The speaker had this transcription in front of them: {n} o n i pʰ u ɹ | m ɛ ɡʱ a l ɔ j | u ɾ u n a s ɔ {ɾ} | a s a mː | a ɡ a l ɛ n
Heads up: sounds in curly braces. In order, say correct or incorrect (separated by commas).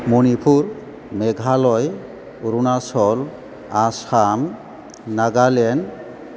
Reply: incorrect, incorrect